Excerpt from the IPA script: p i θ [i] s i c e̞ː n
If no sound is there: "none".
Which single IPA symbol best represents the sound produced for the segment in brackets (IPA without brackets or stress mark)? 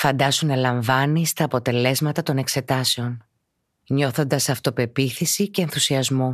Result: i